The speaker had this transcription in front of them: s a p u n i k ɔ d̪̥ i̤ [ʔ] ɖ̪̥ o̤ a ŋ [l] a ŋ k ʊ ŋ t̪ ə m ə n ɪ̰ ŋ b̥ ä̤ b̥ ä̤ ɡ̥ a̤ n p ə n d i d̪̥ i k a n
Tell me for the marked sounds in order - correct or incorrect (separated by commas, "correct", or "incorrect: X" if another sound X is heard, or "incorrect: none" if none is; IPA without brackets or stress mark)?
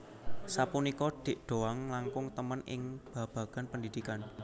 correct, correct